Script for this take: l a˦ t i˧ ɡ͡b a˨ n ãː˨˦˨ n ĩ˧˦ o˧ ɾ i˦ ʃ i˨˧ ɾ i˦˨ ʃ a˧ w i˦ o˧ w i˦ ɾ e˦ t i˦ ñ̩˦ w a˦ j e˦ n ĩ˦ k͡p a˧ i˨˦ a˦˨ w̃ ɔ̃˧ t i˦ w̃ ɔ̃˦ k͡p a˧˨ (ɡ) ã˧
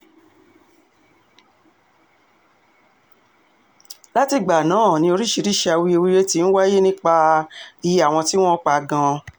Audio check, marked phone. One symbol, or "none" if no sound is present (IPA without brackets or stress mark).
ɡ